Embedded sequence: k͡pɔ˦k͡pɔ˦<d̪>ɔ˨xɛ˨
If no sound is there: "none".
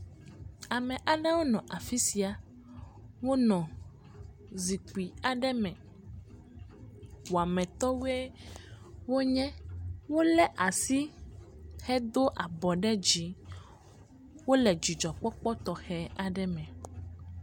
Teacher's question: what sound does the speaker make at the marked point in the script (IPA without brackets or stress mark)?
t̪